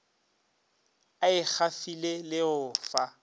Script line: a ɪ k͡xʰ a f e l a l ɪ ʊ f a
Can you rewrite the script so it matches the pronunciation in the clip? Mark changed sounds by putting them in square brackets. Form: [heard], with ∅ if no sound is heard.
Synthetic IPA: a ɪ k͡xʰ a f [i] l [e] l ɪ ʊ f a